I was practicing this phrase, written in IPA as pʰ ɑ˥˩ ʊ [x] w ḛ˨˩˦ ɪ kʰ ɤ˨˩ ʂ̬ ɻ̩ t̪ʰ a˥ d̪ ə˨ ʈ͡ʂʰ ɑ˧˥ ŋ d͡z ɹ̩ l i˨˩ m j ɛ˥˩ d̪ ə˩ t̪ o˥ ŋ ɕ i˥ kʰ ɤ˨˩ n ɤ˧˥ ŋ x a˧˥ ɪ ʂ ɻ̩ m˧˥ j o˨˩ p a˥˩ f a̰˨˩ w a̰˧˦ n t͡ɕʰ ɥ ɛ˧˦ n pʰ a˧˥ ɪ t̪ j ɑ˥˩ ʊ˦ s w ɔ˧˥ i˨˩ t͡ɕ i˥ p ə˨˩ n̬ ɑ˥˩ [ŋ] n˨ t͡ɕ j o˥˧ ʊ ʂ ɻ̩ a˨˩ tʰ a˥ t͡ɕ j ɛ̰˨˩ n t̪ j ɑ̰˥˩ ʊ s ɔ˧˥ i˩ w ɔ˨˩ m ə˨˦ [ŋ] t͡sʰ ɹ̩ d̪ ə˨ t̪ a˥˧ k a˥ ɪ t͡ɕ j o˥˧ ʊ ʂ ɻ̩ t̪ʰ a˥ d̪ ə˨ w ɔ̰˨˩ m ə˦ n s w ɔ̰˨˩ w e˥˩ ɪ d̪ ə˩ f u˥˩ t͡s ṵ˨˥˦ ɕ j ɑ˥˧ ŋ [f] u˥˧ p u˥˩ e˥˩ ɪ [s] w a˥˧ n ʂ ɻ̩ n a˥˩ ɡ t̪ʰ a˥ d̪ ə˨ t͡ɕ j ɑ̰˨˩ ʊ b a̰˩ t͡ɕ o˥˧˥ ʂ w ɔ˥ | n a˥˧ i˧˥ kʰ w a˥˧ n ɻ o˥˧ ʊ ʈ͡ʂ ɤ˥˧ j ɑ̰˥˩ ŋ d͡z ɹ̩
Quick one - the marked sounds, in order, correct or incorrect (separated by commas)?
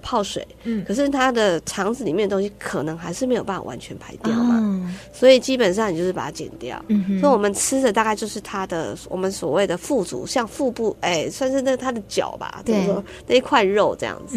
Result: incorrect, correct, incorrect, correct, correct